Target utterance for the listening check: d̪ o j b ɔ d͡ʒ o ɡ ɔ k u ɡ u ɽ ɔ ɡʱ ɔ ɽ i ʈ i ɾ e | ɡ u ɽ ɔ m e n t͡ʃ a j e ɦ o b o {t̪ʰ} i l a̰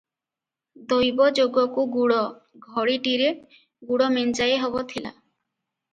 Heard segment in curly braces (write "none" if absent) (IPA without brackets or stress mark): t̪ʰ